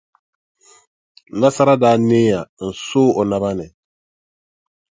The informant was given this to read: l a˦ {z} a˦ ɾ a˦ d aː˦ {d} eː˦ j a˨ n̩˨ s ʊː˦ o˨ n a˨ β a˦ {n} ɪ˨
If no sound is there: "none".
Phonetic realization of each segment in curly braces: s, n, n

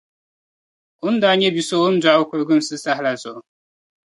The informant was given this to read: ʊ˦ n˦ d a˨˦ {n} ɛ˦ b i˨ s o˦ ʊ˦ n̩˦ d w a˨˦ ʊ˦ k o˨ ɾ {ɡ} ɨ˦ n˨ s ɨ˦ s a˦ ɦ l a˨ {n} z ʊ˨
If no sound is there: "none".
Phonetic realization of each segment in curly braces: ɲ, ɡ, none

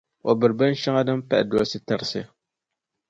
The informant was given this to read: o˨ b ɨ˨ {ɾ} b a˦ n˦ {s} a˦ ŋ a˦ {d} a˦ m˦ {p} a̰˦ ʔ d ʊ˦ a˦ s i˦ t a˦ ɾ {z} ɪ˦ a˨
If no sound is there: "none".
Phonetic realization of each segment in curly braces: ɾ, ʃ, d, p, s

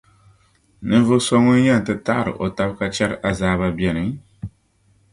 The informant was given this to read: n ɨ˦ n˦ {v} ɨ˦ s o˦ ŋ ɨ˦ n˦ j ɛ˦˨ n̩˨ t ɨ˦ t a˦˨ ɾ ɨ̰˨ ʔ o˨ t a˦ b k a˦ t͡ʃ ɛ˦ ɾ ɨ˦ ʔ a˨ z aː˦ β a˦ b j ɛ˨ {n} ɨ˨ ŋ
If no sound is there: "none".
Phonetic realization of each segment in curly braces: v, n

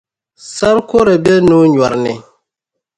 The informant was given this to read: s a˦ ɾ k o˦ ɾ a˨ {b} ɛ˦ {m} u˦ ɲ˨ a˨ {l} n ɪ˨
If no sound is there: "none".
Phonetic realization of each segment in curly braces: b, n, ɾ

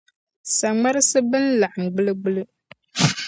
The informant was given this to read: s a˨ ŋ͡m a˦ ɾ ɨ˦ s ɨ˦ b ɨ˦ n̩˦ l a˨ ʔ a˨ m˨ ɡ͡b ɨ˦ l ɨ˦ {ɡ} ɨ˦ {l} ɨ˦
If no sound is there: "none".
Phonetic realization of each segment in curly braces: ɡ͡b, l

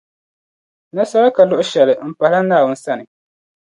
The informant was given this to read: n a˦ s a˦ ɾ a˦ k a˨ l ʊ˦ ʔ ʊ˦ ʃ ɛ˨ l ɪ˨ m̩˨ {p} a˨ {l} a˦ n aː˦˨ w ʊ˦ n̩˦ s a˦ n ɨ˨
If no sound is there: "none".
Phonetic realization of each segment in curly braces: p, l

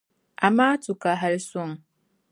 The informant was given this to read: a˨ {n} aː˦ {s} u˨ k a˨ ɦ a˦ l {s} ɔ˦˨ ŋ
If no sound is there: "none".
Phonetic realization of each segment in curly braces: m, t, s

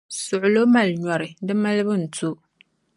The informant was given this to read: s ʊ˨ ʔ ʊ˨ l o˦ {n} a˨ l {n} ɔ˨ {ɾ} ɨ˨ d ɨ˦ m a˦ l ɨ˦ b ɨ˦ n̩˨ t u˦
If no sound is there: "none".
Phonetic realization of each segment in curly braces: m, ɲ, ɾ

